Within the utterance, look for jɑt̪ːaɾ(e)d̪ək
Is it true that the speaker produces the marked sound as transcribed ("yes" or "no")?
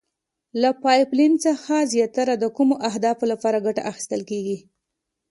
no